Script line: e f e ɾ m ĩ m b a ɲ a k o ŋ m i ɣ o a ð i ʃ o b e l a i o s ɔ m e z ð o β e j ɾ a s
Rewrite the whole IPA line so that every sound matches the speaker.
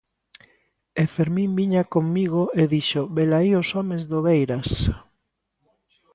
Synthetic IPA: e f e ɾ m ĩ m b i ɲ a k o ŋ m i ɣ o e ð i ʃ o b e l a i o s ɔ m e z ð o β e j ɾ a s